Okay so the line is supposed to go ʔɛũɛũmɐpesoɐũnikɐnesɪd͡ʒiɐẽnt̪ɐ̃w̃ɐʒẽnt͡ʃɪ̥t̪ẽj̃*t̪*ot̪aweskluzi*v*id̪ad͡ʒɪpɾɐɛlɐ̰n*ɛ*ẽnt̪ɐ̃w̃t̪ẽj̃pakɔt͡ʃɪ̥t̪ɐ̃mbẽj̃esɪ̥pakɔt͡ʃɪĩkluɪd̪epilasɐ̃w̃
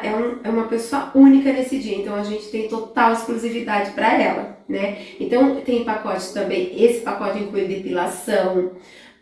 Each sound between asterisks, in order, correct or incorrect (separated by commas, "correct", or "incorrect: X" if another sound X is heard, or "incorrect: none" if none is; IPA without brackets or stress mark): correct, correct, correct